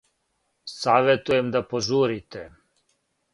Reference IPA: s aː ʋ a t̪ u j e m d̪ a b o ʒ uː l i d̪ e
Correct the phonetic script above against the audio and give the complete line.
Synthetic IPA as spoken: s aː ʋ e t̪ u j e m d̪ a p o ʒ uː ɾ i t̪ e